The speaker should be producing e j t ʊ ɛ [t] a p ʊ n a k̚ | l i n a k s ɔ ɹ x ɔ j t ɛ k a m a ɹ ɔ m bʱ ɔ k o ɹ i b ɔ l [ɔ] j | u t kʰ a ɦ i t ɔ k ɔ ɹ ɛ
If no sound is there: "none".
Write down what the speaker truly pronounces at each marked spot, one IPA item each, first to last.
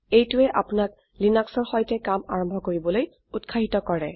ʔ, o

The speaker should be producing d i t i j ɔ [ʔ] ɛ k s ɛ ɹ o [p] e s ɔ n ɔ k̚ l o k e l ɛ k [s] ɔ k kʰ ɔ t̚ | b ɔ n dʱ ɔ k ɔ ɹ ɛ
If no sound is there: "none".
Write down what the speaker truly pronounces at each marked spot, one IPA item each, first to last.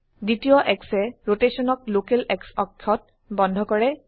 ʔ, t, s

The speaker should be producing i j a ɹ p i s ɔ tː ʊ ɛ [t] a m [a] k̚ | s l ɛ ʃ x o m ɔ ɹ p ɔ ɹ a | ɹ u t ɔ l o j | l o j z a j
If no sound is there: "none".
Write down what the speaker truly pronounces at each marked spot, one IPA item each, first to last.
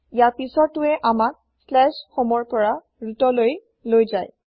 ʔ, a

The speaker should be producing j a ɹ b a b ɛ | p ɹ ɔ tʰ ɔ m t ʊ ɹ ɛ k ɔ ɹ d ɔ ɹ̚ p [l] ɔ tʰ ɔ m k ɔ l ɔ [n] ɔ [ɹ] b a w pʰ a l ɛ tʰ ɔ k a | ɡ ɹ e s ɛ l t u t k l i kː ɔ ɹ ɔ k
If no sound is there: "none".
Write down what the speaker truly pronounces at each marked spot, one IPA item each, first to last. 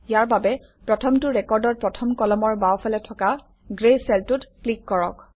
ɹ, m, ɹ

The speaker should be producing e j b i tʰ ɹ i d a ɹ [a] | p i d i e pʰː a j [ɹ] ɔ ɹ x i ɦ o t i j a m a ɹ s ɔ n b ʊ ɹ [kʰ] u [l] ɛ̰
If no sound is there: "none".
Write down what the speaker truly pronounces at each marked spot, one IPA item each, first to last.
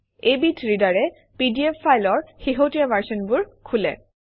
ɛ, l, kʰ, l

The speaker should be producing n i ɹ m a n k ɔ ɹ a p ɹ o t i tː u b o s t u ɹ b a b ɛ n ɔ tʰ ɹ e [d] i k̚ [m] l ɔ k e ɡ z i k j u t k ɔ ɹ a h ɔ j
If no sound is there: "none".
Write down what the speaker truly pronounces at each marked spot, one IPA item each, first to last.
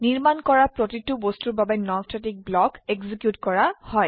t, b

